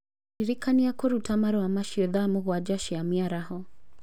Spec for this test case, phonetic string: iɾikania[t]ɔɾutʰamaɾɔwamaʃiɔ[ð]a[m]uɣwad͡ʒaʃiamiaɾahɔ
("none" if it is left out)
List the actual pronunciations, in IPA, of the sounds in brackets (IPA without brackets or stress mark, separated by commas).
k, ð, m